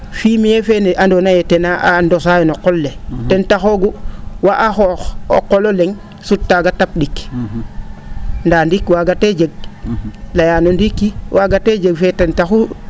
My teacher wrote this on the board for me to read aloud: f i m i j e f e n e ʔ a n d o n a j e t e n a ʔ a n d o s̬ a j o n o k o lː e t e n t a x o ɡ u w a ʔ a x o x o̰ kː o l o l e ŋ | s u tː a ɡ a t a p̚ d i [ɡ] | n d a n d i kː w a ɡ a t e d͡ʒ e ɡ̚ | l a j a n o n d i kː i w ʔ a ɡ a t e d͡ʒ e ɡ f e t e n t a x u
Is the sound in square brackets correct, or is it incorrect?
incorrect